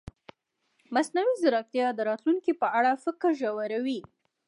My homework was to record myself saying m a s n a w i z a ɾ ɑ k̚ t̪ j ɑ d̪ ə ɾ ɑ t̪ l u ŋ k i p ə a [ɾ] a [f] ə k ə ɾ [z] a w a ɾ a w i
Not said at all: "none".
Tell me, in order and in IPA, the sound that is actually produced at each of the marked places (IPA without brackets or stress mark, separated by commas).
ɽ, f, ʒ